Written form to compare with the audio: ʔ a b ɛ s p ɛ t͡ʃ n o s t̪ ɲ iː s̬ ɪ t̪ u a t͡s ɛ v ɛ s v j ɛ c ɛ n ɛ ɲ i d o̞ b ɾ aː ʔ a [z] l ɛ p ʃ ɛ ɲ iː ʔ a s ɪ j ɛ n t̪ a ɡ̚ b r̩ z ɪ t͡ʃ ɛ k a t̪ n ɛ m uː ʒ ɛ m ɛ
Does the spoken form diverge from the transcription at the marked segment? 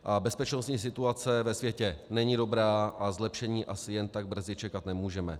no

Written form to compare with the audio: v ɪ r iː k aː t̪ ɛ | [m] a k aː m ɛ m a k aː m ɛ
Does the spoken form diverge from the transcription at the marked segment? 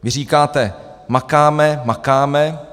no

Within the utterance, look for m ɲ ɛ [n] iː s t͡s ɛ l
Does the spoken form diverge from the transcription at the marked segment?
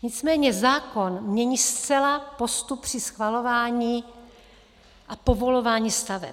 yes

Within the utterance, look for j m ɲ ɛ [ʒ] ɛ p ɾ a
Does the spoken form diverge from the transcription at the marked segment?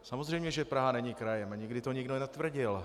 no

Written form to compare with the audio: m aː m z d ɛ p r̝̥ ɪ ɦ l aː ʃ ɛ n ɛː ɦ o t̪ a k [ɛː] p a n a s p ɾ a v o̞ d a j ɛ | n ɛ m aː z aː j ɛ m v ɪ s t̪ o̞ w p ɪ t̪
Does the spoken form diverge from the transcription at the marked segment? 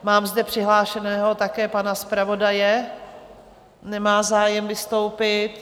no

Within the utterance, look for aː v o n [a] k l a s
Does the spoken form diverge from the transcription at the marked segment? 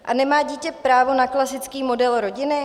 no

